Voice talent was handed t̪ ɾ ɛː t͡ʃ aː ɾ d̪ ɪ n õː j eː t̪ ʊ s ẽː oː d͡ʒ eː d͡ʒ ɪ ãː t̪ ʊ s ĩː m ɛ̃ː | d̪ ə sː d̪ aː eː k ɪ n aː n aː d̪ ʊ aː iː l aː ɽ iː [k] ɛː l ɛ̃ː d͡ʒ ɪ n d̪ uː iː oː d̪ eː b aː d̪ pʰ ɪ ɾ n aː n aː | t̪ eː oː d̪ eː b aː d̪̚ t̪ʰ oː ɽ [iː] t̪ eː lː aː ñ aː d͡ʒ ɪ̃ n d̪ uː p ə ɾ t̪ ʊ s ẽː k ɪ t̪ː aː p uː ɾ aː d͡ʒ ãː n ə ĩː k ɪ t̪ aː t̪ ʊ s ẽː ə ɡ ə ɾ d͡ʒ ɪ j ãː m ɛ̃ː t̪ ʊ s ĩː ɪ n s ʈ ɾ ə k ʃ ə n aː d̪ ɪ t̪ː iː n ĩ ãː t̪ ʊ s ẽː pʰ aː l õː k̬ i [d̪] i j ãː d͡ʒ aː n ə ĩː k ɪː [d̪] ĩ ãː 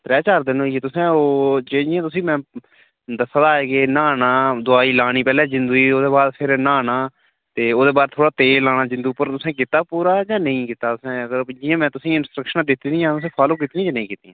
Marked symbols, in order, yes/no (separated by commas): no, no, no, no